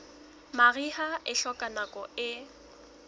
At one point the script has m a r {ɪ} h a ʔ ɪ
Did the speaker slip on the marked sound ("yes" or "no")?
yes